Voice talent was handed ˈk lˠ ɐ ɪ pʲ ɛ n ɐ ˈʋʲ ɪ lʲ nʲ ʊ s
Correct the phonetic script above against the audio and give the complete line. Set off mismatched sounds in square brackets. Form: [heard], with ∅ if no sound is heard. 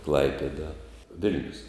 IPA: ˈk lˠ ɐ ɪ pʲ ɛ [d] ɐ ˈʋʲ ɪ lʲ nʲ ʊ s